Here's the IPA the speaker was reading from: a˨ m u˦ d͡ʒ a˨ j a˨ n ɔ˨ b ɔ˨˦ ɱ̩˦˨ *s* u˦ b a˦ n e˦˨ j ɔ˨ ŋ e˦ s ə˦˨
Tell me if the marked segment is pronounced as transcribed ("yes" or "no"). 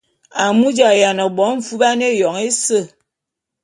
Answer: no